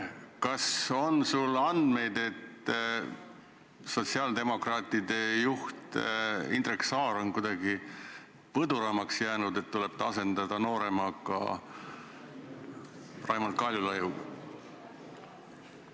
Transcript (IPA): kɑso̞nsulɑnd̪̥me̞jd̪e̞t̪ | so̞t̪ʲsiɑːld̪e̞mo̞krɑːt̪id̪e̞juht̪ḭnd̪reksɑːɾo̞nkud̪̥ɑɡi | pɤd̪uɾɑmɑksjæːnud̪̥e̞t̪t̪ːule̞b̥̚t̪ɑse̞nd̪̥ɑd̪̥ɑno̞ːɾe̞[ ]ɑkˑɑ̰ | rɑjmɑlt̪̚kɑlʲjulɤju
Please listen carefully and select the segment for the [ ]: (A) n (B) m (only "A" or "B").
B